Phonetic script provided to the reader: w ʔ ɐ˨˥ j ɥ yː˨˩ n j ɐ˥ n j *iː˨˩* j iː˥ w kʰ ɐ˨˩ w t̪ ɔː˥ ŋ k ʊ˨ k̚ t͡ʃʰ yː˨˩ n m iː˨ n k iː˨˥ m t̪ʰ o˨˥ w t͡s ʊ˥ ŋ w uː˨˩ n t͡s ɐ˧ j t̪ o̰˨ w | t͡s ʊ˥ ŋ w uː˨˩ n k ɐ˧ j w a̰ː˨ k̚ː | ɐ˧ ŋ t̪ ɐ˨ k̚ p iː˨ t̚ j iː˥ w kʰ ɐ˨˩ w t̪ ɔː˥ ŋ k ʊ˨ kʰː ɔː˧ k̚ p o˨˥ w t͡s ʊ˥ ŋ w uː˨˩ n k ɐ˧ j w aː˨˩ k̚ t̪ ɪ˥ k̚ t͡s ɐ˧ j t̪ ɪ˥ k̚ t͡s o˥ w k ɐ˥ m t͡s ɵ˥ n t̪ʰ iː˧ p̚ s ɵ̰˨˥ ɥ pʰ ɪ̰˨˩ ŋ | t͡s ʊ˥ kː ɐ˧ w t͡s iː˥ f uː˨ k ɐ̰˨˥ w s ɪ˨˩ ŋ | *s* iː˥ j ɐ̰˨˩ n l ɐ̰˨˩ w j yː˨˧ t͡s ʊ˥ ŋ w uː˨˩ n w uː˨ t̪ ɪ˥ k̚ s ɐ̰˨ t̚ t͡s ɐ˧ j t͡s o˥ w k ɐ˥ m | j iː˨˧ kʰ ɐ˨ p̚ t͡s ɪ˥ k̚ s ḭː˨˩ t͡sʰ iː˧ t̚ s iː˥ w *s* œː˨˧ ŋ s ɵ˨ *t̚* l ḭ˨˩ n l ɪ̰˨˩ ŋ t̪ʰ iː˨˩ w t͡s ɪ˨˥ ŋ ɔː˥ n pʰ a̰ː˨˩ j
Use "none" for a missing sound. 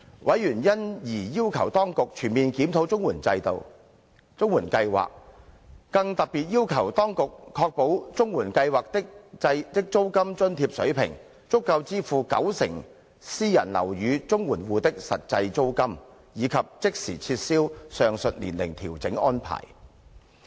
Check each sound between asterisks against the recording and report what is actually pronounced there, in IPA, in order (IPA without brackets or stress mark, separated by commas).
iː˨˩, s, s, t̚